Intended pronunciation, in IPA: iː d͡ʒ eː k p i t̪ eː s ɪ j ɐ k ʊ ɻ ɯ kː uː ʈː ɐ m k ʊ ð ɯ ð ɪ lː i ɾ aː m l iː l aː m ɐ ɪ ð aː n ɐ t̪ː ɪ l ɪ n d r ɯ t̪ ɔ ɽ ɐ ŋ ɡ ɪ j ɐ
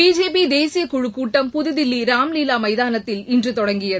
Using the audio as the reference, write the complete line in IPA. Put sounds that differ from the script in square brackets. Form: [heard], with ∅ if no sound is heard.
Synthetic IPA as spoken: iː d͡ʒ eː [∅] p i [d̪] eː s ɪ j ɐ k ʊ ɻ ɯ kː uː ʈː ɐ m [p] ʊ ð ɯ ð ɪ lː i ɾ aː m l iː l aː m ɐ ɪ ð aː n ɐ t̪ː ɪ l ɪ n d r ɯ t̪ ɔ ɽ ɐ ŋ ɡ ɪ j ɐ

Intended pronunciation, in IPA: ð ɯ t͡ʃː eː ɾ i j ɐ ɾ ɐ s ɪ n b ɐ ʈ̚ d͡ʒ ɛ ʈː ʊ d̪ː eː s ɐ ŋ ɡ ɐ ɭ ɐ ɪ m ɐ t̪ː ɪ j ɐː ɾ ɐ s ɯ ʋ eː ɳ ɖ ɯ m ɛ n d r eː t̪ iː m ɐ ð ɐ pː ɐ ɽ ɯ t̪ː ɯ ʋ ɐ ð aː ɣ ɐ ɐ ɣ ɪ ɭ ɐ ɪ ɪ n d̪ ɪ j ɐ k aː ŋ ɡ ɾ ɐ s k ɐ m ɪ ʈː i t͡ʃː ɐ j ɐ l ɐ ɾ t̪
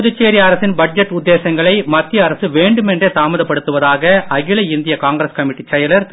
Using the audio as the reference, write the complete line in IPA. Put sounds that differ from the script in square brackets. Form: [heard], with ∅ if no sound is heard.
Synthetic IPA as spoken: ð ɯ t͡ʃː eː ɾ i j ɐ ɾ ɐ s ɪ n b ɐ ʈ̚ d͡ʒ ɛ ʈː ʊ d̪ː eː s ɐ ŋ ɡ ɐ ɭ ɐ ɪ m ɐ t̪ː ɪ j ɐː ɾ ɐ s ɯ ʋ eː ɳ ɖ ɯ m ɛ n d r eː t̪ [aː] m ɐ ð ɐ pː ɐ ɽ ɯ t̪ː ɯ ʋ ɐ ð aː ɣ ɐ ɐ ɣ ɪ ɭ ɐ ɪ ɪ n d̪ ɪ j ɐ k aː ŋ ɡ ɾ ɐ s k ɐ m ɪ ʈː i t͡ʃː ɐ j ɐ l ɐ ɾ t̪

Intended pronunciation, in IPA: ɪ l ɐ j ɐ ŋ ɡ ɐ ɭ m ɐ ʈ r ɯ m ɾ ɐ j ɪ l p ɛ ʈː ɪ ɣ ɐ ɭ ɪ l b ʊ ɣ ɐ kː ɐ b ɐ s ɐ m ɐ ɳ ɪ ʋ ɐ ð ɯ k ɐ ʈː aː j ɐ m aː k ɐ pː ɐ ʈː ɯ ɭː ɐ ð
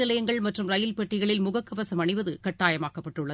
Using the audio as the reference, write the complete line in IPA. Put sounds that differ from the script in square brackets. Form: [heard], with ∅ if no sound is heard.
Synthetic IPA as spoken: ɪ l ɐ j ɐ ŋ ɡ ɐ ɭ m ɐ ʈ r ɯ m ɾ ɐ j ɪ l p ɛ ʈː ɪ ɣ ɐ ɭ ɪ l [m] ʊ ɣ ɐ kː ɐ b ɐ s ɐ m ɐ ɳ ɪ ʋ ɐ ð ɯ k ɐ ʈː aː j ɐ m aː k ɐ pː ɐ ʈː ɯ ɭː ɐ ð

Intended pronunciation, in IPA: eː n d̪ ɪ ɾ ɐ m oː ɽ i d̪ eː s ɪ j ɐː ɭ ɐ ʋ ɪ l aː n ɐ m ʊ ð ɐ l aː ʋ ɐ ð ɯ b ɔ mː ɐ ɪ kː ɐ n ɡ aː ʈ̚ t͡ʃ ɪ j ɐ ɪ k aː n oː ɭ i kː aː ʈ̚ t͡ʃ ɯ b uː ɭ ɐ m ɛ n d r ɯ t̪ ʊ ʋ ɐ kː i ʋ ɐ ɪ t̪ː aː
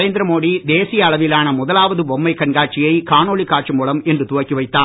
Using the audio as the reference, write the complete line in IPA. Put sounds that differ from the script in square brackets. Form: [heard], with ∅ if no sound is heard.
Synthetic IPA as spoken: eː n d̪ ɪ ɾ ɐ m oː ɽ i d̪ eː s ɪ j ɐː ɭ ɐ ʋ ɪ l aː n ɐ m ʊ ð ɐ l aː ʋ ɐ ð ɯ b ɔ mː ɐ ɪ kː ɐ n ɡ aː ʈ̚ t͡ʃ ɪ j ɐ ɪ k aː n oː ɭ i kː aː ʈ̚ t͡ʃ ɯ [m] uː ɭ ɐ m ɛ n d r ɯ t̪ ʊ ʋ ɐ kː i ʋ ɐ ɪ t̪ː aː

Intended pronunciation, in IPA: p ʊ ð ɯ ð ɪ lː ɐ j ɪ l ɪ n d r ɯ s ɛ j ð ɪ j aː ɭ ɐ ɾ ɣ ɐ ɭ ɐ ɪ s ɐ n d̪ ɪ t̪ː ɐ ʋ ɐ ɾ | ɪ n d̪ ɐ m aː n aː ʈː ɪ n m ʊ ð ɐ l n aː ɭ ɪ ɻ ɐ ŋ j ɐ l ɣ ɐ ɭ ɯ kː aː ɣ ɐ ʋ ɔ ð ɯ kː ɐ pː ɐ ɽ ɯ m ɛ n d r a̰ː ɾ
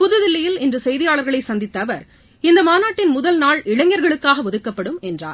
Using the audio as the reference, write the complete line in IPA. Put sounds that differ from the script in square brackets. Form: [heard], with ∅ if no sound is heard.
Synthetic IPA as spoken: p ʊ ð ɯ ð ɪ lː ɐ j ɪ l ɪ n d r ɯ s ɛ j ð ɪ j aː ɭ ɐ ɾ ɣ ɐ ɭ ɐ ɪ s ɐ n d̪ ɪ t̪ː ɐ ʋ ɐ ɾ | ɪ n d̪ ɐ m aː n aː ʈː ɪ n m ʊ ð ɐ l n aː ɭ ɪ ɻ ɐ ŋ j ɐ [ɾ] ɣ ɐ ɭ ɯ kː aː ɣ ɐ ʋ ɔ ð ɯ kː ɐ pː ɐ ɽ ɯ m ɛ n d r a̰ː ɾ

